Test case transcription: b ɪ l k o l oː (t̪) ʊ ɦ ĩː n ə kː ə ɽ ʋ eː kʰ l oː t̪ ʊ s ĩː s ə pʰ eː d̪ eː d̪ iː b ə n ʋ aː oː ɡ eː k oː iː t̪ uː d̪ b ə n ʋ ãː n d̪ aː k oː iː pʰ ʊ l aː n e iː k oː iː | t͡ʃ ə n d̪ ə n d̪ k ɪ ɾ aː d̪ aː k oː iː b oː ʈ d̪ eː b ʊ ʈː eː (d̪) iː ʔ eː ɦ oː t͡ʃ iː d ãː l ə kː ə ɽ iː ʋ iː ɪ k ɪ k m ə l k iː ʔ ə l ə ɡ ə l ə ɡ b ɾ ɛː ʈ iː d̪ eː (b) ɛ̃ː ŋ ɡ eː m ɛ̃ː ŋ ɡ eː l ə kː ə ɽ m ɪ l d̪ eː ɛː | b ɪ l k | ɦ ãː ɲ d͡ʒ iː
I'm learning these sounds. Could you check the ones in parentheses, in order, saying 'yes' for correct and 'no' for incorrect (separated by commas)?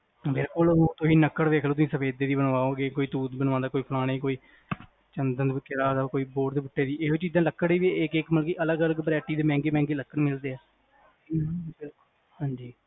yes, yes, no